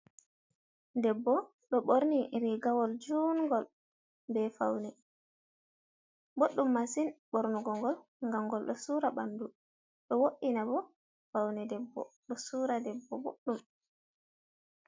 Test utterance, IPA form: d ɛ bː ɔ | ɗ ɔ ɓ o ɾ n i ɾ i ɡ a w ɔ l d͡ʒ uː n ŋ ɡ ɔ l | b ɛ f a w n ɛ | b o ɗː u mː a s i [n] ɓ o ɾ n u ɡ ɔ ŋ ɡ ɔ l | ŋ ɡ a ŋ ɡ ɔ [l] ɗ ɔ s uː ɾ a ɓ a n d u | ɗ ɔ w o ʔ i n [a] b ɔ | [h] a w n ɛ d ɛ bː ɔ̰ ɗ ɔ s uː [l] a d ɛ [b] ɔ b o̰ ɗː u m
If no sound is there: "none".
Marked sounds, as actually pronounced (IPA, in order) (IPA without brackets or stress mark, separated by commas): n, l, a, f, ɾ, bː